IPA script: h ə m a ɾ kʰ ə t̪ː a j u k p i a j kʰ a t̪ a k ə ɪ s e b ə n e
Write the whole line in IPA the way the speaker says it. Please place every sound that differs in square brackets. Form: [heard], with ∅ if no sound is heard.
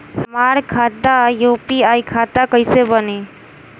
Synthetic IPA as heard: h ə m a ɾ kʰ [a] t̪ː a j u [∅] p i a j kʰ a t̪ a k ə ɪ s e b ə n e